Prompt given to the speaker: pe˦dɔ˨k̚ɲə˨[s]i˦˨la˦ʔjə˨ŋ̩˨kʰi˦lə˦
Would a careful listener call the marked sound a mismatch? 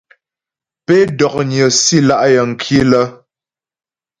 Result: no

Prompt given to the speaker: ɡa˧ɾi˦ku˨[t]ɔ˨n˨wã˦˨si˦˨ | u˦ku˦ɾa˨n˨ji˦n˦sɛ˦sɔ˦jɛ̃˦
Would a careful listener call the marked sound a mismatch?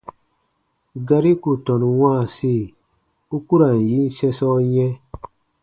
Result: no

